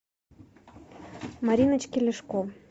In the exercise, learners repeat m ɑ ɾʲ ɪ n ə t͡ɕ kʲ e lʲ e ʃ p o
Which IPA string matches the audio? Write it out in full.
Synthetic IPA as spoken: m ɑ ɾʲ i n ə t͡ɕ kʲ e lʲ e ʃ k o